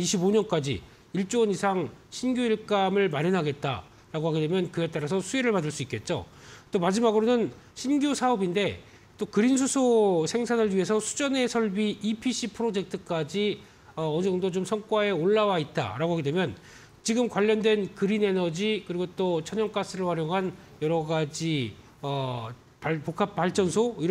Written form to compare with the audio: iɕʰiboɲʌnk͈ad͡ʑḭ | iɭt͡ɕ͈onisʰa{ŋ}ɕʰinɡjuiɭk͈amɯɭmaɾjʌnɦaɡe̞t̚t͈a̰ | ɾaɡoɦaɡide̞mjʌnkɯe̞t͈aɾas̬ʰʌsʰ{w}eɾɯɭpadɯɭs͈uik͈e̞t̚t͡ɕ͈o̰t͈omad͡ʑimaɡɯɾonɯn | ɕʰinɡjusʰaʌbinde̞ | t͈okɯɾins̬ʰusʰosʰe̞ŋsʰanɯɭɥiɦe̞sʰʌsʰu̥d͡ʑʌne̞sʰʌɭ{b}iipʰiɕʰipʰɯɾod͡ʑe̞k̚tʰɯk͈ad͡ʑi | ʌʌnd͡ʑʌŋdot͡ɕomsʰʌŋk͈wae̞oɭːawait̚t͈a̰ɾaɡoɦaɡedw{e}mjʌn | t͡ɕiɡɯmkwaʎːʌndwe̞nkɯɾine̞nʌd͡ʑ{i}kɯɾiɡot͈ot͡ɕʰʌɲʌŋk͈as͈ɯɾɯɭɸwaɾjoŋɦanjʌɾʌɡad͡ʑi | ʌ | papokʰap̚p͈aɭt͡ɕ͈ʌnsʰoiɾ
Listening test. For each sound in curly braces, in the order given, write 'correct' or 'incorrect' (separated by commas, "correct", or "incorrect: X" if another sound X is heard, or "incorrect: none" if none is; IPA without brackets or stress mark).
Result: correct, incorrect: u, correct, correct, correct